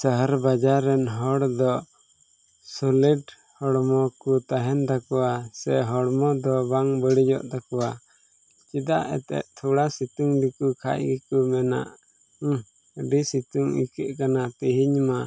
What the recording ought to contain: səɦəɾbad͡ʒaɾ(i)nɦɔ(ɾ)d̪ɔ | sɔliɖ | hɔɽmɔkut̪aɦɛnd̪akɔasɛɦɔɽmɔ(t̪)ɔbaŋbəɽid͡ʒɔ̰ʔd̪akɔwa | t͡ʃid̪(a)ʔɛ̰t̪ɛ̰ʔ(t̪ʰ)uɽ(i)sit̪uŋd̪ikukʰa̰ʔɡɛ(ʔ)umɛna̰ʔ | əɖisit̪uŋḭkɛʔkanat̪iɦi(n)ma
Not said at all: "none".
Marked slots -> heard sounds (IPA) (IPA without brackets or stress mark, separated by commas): ɛ, ɽ, d̪, a, t̪ʰ, a, k, ɲ